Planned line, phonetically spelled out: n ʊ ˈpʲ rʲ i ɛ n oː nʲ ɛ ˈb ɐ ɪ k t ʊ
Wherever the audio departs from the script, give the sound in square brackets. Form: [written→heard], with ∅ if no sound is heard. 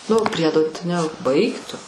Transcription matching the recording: n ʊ ˈpʲ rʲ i ɛ [n→d] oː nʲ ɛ ˈb ɐ ɪ k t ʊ